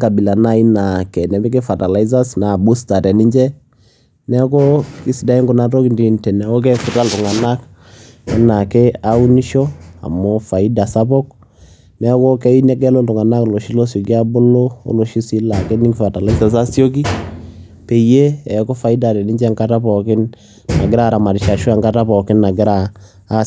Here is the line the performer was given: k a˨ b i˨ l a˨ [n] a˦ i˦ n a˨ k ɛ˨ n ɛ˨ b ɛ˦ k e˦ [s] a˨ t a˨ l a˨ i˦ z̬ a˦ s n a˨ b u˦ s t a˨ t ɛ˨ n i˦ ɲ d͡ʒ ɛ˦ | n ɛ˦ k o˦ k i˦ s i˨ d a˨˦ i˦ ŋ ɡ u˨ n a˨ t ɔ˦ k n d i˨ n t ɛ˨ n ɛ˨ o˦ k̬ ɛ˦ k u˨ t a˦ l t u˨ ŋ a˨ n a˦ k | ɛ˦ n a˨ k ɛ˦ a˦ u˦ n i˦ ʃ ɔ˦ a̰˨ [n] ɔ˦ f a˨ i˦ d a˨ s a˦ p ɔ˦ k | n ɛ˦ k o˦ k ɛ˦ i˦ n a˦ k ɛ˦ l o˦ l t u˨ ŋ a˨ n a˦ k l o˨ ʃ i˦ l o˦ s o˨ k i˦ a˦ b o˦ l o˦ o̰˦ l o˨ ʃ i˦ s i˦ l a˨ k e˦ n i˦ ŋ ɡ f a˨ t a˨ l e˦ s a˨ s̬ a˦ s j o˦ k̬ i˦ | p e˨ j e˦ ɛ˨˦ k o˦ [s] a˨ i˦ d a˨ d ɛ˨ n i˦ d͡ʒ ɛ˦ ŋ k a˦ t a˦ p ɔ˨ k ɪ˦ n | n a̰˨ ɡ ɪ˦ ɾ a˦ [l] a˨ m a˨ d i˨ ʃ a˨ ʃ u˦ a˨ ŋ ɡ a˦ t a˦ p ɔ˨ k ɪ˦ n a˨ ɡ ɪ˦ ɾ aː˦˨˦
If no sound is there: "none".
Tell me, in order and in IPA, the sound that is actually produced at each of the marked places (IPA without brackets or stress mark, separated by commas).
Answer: n, f, m, f, ɾ